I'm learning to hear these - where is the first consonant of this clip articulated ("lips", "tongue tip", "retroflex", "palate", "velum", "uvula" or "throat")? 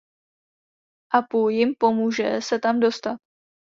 throat